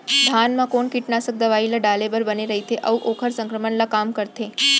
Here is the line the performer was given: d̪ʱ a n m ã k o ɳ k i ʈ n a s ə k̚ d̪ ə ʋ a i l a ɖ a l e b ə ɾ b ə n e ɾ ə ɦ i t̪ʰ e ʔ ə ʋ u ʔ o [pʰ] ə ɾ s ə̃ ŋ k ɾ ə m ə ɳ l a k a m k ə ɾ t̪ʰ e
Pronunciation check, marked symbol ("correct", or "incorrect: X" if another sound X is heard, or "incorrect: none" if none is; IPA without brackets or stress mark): incorrect: kʰ